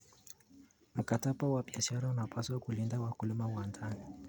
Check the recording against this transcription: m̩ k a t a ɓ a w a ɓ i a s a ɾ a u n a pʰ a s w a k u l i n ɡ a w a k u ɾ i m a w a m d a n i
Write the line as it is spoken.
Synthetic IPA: m̩ k a t a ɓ a w a ɓ i a ʃ a ɾ a u n a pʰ a s w a k u l i n d a w a k u l i m a w a n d a n i